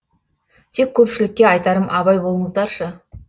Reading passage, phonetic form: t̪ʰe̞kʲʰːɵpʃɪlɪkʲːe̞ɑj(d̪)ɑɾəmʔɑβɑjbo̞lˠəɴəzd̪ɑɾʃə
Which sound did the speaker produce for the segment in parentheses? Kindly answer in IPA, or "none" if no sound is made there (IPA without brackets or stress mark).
t̪